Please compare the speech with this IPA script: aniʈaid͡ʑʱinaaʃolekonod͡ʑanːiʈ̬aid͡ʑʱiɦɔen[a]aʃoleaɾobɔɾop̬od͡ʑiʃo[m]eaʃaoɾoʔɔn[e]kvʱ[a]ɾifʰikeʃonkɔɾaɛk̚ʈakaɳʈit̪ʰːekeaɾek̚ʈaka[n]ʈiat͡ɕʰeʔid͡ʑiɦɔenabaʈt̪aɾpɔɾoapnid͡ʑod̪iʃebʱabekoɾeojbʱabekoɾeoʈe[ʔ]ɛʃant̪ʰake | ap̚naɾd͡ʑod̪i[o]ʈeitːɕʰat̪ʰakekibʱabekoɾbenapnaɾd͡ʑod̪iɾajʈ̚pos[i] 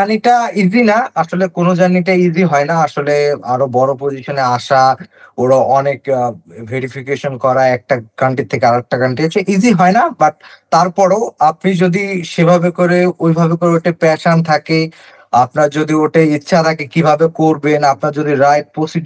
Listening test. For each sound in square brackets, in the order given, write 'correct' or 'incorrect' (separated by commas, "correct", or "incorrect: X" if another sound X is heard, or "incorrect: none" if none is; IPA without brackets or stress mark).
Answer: correct, incorrect: n, correct, incorrect: e, incorrect: ɳ, incorrect: p, correct, correct